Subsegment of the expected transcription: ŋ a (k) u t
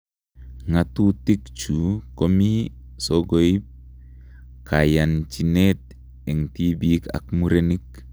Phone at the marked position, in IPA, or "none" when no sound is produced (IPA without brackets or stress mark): t